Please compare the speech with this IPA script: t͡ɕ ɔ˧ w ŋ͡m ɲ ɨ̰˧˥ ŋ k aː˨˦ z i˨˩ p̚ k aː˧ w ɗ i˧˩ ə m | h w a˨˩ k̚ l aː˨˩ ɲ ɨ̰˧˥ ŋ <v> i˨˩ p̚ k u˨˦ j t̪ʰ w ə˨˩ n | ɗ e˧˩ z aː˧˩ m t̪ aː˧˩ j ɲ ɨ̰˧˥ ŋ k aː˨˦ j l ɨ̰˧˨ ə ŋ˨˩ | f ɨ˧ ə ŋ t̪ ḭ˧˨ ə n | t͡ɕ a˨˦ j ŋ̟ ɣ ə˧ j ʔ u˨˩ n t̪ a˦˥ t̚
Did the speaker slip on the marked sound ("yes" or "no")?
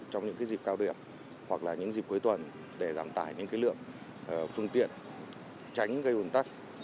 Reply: yes